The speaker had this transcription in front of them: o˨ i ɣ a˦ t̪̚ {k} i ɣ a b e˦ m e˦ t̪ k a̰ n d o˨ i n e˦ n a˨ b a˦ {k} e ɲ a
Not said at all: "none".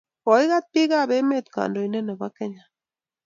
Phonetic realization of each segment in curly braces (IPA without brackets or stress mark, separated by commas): p, k